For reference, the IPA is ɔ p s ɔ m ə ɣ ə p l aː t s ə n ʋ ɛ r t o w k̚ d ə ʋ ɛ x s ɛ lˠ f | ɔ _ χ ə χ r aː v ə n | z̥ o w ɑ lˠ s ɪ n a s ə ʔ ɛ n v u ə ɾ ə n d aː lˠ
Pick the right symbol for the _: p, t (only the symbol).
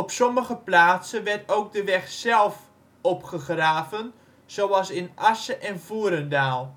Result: p